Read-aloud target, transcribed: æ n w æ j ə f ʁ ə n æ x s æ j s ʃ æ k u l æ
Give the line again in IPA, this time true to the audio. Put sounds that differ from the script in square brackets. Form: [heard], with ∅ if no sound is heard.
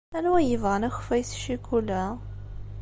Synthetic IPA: æ n w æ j ə [v] ʁ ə n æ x [f] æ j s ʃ [i] k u l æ